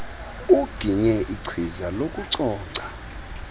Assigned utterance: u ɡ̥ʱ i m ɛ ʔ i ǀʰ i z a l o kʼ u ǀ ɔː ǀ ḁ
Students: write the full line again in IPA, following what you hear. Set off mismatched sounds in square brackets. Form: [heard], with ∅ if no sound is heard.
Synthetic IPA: u ɡ̥ʱ i [ɲ] ɛ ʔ i ǀʰ i z a l o kʼ u ǀ ɔː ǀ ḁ

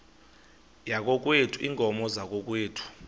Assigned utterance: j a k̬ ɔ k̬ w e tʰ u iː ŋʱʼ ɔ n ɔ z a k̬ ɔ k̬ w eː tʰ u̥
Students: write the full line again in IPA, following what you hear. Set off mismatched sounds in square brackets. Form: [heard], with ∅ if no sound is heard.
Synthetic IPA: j a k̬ ɔ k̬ w e tʰ u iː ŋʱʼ ɔ [m] ɔ z a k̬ ɔ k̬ w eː tʰ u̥

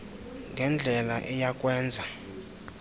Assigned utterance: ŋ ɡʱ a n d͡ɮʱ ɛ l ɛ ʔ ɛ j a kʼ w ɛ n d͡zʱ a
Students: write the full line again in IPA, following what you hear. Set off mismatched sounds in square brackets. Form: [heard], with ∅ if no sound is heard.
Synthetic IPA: ŋ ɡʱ [ɛ] n d͡ɮʱ ɛ l [a] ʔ ɛ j a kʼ w [ɛː] n d͡zʱ a

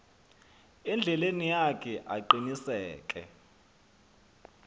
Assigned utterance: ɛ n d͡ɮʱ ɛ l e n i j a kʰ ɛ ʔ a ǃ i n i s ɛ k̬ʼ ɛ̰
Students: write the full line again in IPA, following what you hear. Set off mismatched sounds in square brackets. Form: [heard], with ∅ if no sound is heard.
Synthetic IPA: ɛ n d͡ɮʱ ɛ l e n i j a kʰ ɛ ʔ a ǃ i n i s [ɛː] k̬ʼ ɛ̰

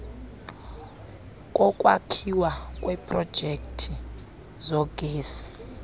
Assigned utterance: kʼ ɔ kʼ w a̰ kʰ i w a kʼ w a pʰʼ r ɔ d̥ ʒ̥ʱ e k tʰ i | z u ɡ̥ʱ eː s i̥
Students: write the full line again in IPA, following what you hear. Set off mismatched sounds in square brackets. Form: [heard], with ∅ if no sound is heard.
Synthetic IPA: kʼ ɔ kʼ w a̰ kʰ i w a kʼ w [ɛ] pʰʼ r ɔ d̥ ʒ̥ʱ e k tʰ i | z [ɔ] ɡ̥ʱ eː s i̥

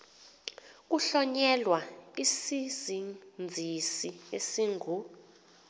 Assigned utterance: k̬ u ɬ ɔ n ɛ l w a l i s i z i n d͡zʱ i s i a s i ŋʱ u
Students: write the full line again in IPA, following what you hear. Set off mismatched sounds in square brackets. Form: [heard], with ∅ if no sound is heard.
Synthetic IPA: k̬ u ɬ ɔ [ɲ] ɛ l w a [∅] i s i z i n d͡zʱ i s i [e] s i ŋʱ u

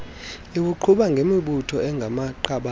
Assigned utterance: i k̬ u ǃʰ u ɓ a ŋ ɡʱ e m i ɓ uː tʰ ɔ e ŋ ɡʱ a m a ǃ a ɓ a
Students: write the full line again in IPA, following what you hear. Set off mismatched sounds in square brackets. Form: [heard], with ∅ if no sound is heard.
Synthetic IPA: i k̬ u ǃʰ u ɓ a ŋ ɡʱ e m i ɓ [u] tʰ ɔ [ɛ] ŋ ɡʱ a m a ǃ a ɓ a

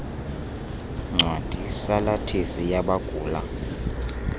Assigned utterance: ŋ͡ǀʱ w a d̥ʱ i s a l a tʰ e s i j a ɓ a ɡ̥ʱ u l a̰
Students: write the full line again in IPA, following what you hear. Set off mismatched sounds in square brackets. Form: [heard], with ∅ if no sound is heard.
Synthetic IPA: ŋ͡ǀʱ w a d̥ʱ i s a l a tʰ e s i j a ɓ a ɡ̥ʱ [uː] l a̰

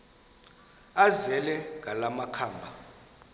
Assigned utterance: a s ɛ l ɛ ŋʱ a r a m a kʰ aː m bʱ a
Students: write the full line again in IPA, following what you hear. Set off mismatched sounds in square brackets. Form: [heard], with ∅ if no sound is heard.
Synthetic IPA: a [z] ɛ l ɛ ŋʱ a [l] a m a kʰ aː m bʱ a

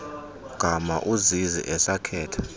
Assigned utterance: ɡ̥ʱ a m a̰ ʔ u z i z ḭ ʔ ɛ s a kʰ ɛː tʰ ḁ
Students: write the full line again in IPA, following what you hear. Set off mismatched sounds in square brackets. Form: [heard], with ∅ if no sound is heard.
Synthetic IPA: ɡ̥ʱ a m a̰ ʔ u z i z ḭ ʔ ɛ s a kʰ ɛː tʰ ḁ

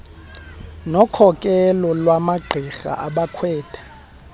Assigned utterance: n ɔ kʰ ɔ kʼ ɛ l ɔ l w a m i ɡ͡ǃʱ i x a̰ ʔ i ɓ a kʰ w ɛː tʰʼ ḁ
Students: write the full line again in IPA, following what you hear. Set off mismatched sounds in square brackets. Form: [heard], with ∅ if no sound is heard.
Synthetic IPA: n ɔ kʰ ɔ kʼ ɛ l ɔ l w a m [a] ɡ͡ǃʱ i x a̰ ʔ [a] ɓ a kʰ w ɛː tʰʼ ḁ

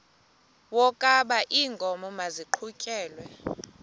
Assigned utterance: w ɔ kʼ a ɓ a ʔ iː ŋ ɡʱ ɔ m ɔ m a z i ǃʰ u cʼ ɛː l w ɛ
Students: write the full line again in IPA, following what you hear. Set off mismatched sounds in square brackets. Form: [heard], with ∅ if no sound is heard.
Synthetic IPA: w ɔ kʼ a ɓ a ʔ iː ŋ ɡʱ ɔ m ɔ m a z i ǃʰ u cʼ ɛː l w ɛ

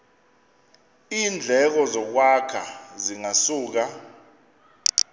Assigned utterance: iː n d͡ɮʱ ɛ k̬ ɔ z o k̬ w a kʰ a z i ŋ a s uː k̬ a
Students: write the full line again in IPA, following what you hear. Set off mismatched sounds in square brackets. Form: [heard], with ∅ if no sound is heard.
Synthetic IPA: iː n d͡ɮʱ ɛ k̬ ɔ z [ɔ] k̬ w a kʰ a z i ŋ a s uː k̬ a

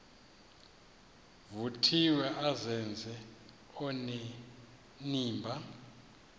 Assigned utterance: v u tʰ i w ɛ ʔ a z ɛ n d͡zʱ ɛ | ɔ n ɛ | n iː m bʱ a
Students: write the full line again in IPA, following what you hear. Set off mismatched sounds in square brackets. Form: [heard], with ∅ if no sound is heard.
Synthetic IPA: v u tʰ i w ɛ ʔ a z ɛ n d͡zʱ ɛ | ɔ n ɛ | n iː m bʱ a

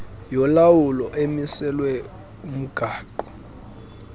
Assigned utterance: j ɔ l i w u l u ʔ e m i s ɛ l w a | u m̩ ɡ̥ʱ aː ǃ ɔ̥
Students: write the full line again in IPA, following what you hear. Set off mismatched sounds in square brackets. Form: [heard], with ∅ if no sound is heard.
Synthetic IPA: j ɔ l [a] w u l [ɔ] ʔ e m i s ɛ l w [ɛ] | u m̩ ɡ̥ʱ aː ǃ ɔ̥

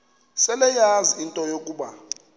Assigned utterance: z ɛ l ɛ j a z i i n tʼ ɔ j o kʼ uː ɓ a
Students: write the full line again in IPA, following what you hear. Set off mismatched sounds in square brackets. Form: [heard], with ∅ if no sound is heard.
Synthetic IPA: [s] ɛ l ɛ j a z i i n tʼ ɔ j o kʼ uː ɓ a

